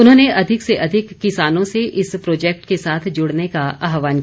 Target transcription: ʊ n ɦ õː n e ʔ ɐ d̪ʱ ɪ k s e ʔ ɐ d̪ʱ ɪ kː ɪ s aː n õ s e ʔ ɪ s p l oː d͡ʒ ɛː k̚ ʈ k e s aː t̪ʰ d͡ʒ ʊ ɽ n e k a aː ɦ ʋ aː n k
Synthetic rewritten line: ʊ n ɦ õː n e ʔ ɐ d̪ʱ ɪ k s e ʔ ɐ d̪ʱ ɪ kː ɪ s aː n õ s e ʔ ɪ s p ɾ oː d͡ʒ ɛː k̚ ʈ k e s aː t̪ʰ d͡ʒ ʊ ɽ n e k a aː ɦ ʋ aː n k